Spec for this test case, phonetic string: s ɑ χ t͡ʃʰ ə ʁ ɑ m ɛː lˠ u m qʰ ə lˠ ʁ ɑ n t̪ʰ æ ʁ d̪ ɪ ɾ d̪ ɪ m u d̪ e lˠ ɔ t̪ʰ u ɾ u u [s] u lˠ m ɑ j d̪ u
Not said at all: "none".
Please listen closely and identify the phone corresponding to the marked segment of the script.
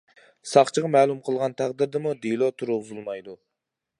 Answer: z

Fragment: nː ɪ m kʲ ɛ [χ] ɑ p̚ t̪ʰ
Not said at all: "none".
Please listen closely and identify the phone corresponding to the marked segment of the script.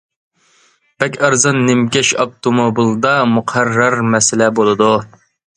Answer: ʃ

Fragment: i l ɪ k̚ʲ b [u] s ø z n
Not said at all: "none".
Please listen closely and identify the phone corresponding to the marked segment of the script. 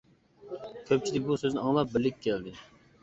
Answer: u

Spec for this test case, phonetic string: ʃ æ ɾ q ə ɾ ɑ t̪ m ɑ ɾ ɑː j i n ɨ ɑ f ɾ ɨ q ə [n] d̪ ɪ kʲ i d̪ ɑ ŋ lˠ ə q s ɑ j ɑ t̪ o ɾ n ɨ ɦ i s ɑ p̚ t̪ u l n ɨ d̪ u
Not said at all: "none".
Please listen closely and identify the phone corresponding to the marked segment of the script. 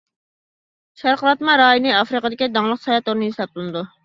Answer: none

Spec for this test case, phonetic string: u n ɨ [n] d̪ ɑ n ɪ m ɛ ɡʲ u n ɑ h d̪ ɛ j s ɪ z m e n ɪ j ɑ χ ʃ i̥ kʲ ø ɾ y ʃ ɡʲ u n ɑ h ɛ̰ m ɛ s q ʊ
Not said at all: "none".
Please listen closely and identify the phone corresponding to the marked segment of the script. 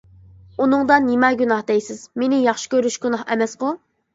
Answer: ŋ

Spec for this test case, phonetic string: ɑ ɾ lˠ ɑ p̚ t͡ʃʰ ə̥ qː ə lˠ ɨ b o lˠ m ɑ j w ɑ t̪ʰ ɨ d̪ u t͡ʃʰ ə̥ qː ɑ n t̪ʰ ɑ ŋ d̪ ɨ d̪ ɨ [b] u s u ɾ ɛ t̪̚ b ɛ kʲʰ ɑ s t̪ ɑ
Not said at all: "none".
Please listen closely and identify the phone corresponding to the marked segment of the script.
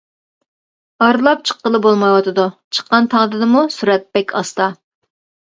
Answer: m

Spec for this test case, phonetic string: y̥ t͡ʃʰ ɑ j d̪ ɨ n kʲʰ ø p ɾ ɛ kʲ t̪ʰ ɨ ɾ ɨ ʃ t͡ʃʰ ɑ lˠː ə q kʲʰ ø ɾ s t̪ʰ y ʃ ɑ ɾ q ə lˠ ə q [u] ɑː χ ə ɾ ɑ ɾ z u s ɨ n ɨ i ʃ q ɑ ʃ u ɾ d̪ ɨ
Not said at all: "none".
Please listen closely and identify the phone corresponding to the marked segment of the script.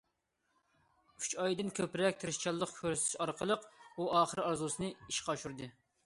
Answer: u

